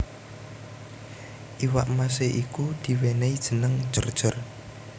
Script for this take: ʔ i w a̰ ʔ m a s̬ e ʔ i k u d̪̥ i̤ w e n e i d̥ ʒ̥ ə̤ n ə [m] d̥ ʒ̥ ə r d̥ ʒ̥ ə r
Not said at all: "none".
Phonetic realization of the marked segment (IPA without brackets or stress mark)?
ŋ